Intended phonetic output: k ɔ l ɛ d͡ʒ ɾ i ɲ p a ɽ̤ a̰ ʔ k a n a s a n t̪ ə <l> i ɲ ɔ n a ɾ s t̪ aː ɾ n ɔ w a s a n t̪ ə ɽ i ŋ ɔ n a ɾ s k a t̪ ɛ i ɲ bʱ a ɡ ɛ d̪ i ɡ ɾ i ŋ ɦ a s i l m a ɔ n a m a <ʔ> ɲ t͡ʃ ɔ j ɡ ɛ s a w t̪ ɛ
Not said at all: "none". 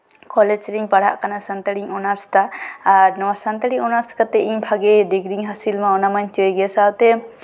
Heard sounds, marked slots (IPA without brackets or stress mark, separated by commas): ɽ, none